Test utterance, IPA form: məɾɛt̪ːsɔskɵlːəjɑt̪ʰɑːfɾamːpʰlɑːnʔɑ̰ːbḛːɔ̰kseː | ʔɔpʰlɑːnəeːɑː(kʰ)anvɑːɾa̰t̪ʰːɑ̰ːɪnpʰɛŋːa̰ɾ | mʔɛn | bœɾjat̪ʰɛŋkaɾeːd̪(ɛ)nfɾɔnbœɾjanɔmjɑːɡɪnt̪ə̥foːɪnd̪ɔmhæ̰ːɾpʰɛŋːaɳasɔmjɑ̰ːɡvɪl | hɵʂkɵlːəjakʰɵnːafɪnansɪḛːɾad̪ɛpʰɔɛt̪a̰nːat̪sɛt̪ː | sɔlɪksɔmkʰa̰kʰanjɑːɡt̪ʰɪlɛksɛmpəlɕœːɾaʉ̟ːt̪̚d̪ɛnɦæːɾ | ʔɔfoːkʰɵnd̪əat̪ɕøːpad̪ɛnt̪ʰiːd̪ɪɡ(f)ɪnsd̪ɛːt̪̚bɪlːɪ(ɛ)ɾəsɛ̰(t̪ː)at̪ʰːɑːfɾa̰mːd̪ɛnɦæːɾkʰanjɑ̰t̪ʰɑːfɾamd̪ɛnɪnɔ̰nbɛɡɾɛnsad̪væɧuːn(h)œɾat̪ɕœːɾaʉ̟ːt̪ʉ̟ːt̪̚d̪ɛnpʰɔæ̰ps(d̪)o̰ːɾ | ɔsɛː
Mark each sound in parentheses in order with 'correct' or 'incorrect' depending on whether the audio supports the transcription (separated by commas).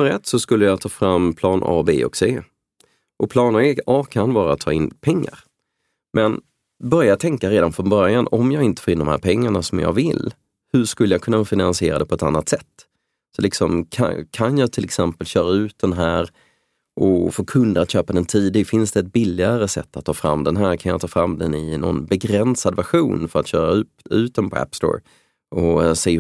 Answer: correct, incorrect, correct, incorrect, correct, incorrect, incorrect